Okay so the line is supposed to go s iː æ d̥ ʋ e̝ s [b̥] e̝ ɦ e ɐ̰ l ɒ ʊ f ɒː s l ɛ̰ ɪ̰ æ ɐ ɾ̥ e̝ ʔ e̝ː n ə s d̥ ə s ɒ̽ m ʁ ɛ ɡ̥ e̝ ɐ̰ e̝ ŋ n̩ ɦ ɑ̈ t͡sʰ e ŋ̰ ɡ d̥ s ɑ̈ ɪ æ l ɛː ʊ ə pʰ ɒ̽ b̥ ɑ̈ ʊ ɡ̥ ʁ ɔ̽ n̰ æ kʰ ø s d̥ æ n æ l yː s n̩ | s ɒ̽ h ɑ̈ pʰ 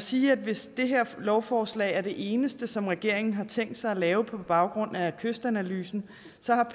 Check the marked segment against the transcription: incorrect: d̥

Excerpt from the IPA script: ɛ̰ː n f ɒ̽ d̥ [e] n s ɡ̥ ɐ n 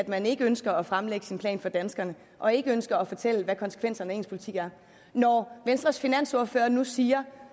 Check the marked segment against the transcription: incorrect: æ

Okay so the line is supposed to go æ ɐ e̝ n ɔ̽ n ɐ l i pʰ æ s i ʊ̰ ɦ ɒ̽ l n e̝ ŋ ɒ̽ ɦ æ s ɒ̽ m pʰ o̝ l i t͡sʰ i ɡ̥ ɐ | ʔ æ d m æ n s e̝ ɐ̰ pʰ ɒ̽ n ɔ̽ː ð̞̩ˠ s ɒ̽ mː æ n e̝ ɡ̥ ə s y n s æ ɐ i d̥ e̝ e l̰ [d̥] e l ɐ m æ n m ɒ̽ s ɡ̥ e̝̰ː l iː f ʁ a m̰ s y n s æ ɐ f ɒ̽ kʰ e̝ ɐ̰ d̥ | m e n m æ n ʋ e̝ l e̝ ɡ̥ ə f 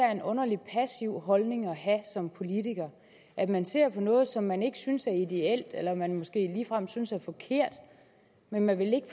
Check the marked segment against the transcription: correct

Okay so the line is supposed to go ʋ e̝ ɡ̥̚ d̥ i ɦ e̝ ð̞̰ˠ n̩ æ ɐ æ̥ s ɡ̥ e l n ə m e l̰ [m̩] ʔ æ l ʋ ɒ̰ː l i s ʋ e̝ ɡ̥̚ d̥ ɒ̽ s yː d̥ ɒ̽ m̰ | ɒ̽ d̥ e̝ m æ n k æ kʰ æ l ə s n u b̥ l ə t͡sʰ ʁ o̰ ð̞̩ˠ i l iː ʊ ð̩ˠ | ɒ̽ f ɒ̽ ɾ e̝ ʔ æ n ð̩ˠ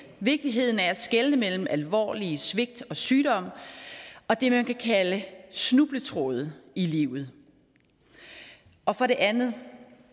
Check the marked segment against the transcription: correct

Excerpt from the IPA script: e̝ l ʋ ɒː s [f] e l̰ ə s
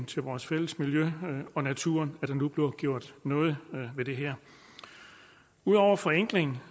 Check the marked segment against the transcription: correct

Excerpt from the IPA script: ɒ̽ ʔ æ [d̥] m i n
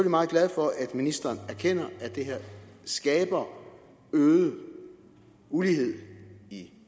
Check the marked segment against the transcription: correct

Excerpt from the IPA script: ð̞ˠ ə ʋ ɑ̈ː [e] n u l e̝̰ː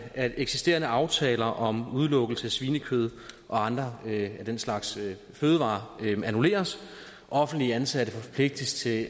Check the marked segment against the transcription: incorrect: æ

